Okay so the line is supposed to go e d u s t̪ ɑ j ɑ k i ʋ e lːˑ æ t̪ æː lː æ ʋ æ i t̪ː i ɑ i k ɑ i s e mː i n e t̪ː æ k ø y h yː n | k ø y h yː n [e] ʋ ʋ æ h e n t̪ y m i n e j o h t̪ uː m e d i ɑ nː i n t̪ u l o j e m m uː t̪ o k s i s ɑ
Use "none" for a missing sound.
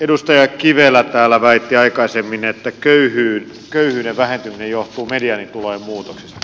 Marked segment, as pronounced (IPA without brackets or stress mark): e